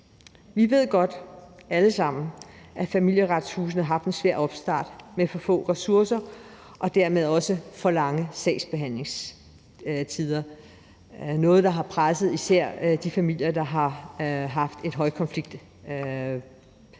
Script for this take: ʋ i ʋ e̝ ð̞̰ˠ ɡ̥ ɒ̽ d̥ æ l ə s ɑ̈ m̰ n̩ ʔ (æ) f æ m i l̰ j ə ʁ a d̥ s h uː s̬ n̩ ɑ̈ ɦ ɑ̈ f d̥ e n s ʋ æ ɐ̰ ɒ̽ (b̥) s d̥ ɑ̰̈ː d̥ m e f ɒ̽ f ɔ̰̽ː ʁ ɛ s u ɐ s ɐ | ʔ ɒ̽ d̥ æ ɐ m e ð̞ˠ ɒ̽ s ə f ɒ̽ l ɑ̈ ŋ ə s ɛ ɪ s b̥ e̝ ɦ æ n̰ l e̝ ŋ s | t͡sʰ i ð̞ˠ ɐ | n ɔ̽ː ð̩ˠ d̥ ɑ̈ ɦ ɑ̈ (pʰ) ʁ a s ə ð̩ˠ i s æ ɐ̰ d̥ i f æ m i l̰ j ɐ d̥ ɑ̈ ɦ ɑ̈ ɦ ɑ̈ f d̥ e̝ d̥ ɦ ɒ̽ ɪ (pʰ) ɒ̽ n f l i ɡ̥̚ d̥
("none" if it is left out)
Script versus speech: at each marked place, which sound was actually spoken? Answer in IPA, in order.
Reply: æ, b̥, pʰ, kʰ

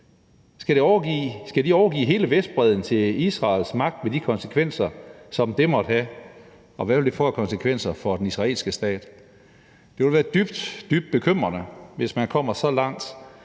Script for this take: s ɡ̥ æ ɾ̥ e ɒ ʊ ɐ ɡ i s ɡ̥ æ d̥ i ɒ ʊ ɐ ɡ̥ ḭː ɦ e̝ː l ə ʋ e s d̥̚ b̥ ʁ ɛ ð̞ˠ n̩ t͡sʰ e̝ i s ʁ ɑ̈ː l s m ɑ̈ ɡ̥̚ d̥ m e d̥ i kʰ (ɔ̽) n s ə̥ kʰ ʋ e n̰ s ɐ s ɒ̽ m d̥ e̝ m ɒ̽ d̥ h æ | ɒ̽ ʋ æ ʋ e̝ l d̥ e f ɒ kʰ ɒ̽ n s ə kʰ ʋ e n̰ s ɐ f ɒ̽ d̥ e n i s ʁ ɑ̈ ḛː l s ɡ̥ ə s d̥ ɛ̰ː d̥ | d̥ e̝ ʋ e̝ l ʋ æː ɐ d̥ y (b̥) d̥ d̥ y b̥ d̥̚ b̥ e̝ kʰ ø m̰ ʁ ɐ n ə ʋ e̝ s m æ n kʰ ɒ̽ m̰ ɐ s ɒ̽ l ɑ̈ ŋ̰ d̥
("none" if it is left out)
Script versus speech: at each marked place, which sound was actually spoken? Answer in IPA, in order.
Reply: ɒ̽, b̥

